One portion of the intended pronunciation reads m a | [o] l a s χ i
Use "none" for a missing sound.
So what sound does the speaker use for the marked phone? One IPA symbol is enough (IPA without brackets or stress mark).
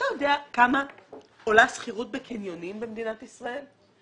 o